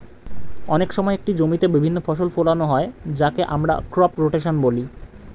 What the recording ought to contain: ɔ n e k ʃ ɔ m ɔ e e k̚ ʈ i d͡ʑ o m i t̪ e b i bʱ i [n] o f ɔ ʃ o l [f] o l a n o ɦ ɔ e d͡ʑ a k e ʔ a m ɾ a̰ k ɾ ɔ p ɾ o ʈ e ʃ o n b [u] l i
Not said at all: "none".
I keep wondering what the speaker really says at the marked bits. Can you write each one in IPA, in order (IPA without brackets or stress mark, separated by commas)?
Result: nː, f, o